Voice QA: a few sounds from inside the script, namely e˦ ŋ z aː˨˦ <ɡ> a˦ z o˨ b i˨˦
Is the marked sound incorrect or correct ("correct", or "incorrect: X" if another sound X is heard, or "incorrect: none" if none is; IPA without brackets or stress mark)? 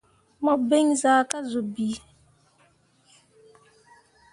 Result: incorrect: k